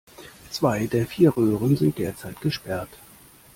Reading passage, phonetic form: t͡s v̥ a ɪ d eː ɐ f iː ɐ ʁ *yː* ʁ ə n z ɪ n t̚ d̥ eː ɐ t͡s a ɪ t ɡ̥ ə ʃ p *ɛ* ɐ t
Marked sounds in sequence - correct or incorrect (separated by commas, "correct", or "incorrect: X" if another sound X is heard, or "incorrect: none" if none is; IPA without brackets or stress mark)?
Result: incorrect: øː, correct